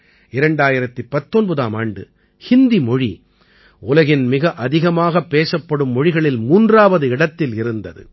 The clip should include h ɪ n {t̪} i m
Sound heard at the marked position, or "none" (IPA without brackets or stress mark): d̪